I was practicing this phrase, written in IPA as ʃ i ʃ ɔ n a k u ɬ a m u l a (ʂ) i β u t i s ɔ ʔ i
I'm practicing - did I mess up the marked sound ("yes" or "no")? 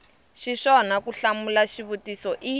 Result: yes